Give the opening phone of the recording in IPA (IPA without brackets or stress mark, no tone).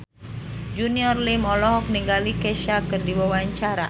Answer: d͡ʒ